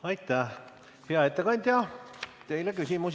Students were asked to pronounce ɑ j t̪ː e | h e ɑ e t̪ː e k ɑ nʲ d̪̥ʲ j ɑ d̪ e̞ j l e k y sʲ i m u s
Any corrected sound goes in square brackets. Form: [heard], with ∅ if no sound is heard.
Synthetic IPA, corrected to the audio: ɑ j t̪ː [æ] | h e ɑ e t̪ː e k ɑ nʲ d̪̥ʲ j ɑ [t̪] e̞ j l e k y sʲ i m u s